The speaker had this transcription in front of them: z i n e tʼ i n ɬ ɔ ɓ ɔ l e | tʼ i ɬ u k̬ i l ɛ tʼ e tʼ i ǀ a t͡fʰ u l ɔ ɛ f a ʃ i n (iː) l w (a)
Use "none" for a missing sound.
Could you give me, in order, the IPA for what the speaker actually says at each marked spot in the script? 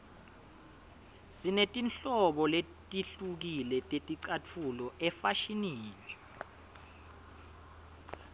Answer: iː, ɛ

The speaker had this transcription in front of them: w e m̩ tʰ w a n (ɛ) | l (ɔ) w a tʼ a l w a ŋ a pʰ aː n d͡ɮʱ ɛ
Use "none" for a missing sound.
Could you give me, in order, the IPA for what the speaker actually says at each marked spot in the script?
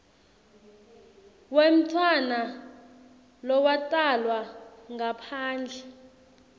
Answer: a, ɔ

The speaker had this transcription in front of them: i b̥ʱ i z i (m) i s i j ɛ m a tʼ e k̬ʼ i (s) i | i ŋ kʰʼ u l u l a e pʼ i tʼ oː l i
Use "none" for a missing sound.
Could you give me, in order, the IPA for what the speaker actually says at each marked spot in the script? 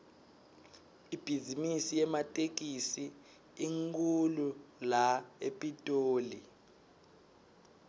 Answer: m, s

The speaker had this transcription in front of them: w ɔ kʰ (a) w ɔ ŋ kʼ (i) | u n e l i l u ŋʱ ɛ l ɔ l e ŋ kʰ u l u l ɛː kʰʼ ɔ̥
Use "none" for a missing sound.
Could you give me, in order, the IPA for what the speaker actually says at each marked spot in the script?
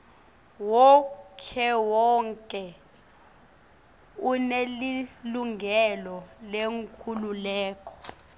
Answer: ɛ, ɛ

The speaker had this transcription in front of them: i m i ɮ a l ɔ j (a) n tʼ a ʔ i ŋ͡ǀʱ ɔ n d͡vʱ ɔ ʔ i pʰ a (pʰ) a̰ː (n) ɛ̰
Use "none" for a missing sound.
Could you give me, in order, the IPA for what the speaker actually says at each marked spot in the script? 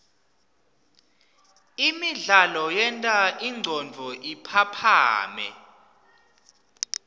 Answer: ɛ, pʰ, m

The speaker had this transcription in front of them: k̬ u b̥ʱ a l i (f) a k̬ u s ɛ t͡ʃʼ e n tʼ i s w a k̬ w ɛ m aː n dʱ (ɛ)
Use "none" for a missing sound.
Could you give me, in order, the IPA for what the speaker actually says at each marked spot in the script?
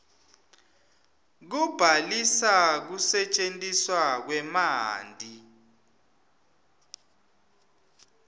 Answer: s, i

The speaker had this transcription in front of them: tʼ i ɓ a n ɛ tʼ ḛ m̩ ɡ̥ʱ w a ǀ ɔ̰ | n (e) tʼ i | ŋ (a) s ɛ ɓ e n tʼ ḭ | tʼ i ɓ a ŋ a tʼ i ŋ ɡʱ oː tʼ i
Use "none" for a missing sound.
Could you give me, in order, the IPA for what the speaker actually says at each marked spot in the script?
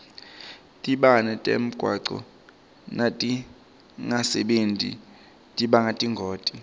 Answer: a, a

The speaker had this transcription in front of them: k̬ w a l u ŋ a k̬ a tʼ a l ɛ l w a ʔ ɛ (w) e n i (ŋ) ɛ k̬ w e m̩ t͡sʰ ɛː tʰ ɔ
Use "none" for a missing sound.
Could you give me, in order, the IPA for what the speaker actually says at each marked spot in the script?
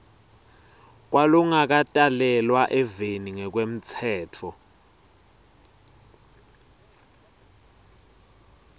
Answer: v, ŋ

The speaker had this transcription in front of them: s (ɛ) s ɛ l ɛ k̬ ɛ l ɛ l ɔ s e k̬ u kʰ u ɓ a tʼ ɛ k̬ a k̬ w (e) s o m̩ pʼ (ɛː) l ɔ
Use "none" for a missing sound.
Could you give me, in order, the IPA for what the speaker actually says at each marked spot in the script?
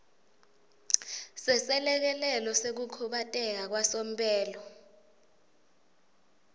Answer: ɛ, a, ɛː

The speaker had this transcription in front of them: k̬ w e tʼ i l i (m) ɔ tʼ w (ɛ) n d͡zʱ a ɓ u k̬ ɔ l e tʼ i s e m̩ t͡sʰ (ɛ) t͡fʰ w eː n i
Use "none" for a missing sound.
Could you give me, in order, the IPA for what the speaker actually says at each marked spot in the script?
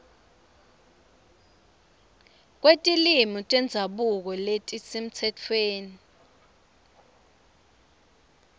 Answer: m, ɛ, ɛ

